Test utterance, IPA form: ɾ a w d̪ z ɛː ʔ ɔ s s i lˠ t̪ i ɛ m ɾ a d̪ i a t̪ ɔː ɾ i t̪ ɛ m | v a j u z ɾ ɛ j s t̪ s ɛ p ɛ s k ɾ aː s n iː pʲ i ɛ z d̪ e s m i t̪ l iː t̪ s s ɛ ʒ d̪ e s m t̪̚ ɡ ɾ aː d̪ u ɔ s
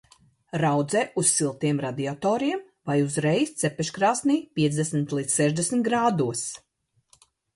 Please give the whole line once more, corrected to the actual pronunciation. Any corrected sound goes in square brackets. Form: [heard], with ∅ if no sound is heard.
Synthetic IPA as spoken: ɾ a w d̪ z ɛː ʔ [u] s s i lˠ t̪ i ɛ m ɾ a d̪ i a t̪ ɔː ɾ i [∅] ɛ m | v a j u z ɾ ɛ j s t̪ s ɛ p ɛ [ʃ] k ɾ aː s n iː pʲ i ɛ z d̪ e s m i t̪ l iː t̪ s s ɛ ʒ d̪ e s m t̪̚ ɡ ɾ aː d̪ u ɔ s